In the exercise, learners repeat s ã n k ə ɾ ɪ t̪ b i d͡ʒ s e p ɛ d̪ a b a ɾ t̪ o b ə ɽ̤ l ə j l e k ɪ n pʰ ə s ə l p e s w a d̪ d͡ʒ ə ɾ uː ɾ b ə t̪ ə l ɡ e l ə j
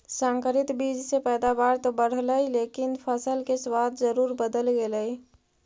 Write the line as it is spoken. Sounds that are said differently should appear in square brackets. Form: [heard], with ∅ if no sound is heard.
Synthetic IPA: s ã [ŋ] k ə ɾ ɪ t̪ b i d͡ʒ s e p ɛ d̪ a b a ɾ t̪ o b ə ɽ̤ l ə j l e k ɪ n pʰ ə s ə l [k] e s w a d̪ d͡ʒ ə ɾ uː ɾ b ə [d̪] ə l ɡ e l ə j